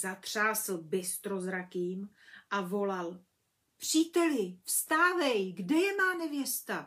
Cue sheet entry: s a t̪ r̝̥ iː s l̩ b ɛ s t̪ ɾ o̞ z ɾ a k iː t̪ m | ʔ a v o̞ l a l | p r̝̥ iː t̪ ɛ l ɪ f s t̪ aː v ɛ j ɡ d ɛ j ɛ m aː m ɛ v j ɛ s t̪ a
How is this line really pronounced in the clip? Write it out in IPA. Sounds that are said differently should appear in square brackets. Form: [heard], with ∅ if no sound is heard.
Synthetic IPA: [z] a t̪ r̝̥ [aː] s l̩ b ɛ s t̪ ɾ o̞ z ɾ a k iː [∅] m | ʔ a v o̞ l a l | p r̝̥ iː t̪ ɛ l ɪ f s t̪ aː v ɛ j ɡ d ɛ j ɛ m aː [n] ɛ v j ɛ s t̪ a